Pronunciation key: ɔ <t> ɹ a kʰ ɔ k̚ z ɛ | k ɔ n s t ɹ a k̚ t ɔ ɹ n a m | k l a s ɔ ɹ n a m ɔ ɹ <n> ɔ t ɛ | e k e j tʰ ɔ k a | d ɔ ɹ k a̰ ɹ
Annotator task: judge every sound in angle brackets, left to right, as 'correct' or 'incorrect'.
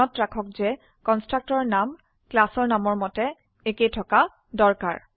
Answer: correct, incorrect

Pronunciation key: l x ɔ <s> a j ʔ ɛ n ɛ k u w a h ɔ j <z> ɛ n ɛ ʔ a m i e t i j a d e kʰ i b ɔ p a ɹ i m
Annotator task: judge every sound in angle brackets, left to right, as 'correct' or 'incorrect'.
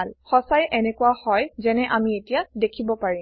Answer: correct, correct

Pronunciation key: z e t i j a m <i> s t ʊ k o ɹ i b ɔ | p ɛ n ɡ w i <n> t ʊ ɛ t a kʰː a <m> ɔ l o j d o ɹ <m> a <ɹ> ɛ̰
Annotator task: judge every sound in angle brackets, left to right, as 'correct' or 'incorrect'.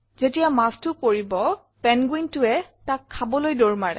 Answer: incorrect, correct, incorrect, correct, correct

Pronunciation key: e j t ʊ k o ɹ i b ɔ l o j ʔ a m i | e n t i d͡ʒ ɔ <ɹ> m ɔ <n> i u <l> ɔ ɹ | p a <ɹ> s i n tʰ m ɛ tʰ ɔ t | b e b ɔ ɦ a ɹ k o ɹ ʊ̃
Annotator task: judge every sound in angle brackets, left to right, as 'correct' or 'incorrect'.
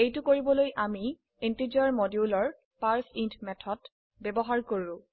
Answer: correct, incorrect, correct, correct

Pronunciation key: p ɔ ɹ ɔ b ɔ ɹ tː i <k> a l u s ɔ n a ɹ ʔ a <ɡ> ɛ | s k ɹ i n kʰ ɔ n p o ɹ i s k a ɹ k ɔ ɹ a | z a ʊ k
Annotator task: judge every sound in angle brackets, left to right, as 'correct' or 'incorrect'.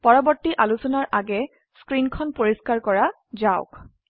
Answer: incorrect, correct

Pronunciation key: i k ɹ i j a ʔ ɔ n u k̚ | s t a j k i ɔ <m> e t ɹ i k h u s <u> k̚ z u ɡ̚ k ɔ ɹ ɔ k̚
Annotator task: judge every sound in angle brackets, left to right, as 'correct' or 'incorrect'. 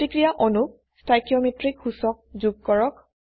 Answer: correct, incorrect

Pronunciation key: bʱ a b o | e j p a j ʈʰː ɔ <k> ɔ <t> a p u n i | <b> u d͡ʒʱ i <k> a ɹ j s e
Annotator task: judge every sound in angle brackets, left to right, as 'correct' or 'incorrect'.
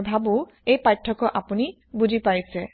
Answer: correct, incorrect, correct, incorrect

